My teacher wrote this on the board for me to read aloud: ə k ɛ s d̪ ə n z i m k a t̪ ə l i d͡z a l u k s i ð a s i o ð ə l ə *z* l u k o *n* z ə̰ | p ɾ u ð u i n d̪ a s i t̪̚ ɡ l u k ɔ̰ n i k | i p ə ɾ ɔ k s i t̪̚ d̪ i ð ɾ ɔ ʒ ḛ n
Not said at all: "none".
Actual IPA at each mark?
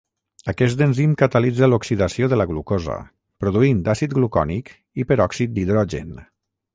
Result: ɣ, none

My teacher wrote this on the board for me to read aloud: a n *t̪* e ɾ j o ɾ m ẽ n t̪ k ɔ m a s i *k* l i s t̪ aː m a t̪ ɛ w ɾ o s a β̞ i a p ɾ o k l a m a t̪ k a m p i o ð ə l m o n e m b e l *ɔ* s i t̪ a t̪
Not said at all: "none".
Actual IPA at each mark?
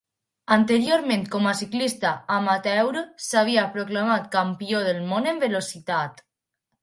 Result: t̪, k, o

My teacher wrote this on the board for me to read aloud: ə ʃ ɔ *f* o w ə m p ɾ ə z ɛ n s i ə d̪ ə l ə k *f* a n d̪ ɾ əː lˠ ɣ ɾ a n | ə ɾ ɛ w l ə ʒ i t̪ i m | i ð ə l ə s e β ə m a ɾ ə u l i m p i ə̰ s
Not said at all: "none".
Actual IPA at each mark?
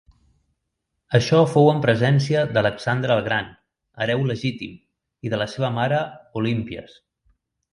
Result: f, s

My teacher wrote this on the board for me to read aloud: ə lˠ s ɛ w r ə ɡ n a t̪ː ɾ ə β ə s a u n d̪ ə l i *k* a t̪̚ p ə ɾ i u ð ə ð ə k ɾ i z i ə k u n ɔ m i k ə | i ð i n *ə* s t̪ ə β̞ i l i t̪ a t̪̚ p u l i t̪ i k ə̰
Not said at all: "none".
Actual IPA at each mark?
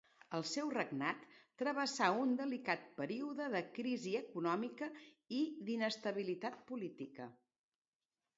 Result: k, ə

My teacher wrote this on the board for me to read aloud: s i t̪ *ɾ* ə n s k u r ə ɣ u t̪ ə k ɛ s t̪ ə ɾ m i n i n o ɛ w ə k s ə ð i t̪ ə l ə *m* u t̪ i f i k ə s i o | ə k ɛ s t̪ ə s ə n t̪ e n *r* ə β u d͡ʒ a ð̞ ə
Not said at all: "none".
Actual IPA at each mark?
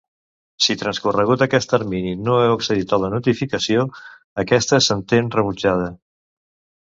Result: ɾ, n, r

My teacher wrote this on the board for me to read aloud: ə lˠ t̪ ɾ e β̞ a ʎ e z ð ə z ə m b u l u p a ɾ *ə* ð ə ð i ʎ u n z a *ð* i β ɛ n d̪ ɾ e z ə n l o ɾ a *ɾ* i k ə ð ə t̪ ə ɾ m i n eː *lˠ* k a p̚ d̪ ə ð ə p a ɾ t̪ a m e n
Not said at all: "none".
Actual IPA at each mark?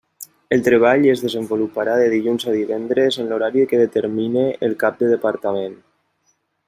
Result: a, ð, ɾ, lˠ

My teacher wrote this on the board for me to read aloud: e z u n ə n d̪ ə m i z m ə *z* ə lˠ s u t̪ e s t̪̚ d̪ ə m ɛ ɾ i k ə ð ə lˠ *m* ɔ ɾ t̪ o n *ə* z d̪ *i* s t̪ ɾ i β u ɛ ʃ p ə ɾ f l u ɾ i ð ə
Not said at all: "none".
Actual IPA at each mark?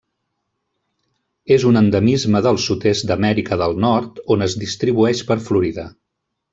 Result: ð, n, ə, i

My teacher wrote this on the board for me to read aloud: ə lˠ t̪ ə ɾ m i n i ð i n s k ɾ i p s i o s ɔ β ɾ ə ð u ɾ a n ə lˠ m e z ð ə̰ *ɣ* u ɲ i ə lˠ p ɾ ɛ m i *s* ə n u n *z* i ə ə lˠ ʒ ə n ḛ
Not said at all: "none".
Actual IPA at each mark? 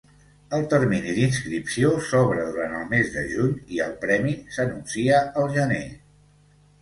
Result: ʒ, s, s

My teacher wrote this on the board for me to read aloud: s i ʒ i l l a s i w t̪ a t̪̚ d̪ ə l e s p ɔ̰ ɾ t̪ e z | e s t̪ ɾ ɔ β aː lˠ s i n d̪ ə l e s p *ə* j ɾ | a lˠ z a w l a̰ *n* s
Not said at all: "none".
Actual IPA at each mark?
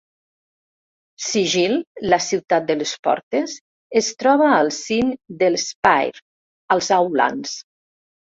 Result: a, n

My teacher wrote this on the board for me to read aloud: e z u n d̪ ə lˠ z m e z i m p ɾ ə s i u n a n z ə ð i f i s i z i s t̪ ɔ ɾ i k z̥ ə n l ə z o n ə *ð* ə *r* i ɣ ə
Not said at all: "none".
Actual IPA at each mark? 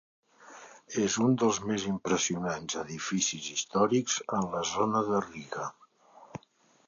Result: ð, r

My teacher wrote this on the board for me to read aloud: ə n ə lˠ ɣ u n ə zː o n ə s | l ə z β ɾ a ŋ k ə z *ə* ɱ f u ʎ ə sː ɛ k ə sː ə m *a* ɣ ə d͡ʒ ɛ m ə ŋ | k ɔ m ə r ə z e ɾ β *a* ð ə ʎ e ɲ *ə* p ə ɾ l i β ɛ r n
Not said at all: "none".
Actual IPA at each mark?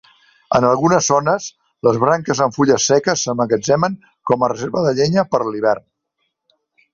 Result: ə, ə, ə, ə

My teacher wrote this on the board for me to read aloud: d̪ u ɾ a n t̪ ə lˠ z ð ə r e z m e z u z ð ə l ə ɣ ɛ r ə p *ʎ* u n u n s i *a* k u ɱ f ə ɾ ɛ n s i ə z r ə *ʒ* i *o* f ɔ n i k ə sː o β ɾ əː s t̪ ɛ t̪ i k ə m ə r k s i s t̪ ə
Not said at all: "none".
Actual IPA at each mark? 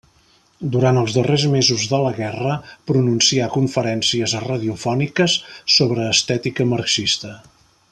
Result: ɾ, a, ð, u

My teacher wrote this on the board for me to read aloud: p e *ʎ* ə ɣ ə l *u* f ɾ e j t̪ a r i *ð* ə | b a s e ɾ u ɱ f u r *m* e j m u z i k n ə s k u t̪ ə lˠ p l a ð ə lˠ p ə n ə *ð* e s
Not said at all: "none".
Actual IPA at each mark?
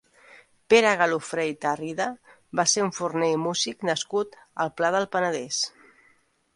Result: ɾ, u, ð, n, ð

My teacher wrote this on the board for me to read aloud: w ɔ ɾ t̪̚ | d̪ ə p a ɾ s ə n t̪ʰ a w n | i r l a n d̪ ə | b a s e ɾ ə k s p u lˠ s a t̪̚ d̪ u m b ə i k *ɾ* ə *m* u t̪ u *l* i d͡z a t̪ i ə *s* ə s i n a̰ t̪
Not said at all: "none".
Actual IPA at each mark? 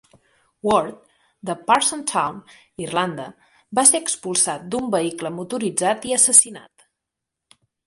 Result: l, m, ɾ, s

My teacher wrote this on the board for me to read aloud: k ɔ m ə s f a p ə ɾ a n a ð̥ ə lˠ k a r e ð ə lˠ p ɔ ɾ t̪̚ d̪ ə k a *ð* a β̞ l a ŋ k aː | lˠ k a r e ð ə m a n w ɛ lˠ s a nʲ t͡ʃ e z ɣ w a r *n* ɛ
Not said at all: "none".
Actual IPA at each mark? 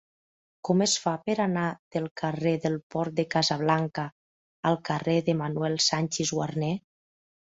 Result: z, n

